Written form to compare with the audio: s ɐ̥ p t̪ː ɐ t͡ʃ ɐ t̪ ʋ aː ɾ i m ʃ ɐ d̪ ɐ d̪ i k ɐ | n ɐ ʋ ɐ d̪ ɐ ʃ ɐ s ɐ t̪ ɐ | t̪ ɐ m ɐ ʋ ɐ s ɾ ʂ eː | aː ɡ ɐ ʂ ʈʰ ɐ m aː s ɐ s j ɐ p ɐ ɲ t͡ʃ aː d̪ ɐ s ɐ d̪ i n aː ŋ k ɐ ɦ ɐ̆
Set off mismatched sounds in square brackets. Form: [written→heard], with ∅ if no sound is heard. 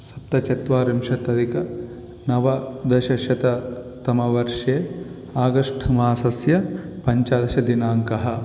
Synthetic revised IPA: s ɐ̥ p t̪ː ɐ t͡ʃ ɐ t̪ ʋ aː ɾ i m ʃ ɐ [d̪→t̪] ɐ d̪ i k ɐ | n ɐ ʋ ɐ d̪ ɐ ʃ ɐ [s→ʃ] ɐ t̪ ɐ | t̪ ɐ m ɐ ʋ ɐ [s→∅] ɾ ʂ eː | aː ɡ ɐ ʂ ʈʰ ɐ m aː s ɐ s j ɐ p ɐ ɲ t͡ʃ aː d̪ ɐ [s→ʃ] ɐ d̪ i n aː ŋ k ɐ ɦ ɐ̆